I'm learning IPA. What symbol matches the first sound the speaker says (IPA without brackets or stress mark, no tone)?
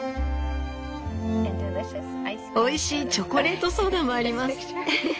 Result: o̞